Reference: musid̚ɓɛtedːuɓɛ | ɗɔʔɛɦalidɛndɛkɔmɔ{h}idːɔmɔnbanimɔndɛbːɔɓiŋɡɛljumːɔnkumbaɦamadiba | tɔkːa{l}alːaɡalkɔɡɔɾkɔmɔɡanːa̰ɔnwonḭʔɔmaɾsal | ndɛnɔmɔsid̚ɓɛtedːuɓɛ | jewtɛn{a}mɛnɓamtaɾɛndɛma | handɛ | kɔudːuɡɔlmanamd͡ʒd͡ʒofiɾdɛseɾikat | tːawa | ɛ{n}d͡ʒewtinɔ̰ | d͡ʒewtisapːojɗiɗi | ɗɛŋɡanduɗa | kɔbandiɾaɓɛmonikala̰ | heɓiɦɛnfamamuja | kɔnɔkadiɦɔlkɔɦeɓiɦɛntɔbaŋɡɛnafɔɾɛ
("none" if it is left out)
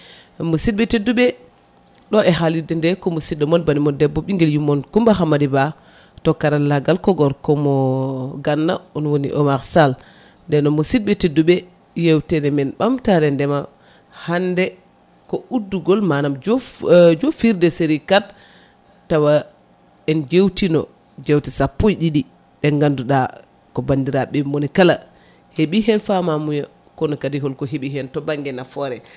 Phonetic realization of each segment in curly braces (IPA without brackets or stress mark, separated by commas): s, ɾ, ɛ, n